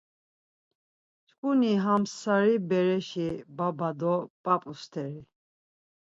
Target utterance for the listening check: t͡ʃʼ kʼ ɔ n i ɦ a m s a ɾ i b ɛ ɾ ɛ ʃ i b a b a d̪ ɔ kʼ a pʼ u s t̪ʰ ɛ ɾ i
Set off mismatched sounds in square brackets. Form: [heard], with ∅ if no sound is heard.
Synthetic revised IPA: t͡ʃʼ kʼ [u] n i ɦ a m s a ɾ i b ɛ ɾ ɛ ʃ i b a b a d̪ ɔ [pʼ] a pʼ u s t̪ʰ ɛ ɾ i